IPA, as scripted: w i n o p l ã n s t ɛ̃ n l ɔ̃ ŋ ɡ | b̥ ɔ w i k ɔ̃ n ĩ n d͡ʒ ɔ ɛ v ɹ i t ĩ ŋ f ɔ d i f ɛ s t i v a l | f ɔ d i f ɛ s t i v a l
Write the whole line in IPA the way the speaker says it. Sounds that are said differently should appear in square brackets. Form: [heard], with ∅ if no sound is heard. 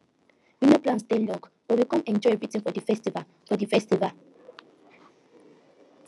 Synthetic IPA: w i n o p l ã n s t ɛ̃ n l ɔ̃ ŋ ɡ | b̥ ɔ w i k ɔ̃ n [ɛ̃] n d͡ʒ ɔ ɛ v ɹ i t ĩ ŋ f ɔ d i f ɛ s t i v a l | f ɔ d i f ɛ s t i v a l